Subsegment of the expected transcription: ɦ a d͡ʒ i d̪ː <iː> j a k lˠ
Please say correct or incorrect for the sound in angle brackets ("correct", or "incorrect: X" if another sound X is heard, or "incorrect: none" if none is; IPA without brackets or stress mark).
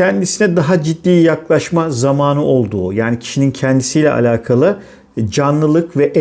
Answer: correct